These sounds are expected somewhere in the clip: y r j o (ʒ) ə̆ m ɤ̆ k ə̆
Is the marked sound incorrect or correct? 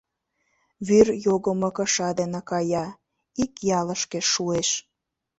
incorrect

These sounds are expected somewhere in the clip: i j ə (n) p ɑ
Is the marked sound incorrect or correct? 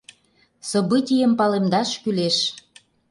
incorrect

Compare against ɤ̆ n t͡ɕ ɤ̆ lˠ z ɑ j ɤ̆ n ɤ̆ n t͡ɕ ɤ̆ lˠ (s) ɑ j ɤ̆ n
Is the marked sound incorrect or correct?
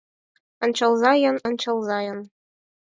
incorrect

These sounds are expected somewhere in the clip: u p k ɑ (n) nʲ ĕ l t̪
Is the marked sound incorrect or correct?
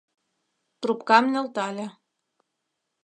incorrect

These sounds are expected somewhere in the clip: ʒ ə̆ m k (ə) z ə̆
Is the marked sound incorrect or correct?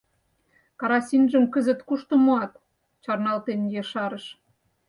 correct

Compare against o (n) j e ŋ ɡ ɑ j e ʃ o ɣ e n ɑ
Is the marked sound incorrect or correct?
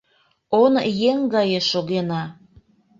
correct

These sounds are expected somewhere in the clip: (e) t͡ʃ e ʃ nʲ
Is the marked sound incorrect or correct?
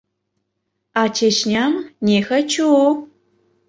incorrect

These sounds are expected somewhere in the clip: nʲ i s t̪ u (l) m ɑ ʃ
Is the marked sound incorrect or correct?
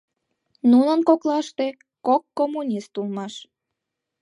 correct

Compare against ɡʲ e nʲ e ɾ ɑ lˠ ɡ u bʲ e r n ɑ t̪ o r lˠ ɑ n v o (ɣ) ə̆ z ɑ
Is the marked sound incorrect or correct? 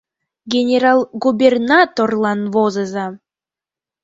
incorrect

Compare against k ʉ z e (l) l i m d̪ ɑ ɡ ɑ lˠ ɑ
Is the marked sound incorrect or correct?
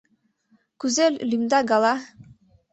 correct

